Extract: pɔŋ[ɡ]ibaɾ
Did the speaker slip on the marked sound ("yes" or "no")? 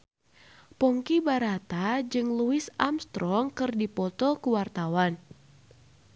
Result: yes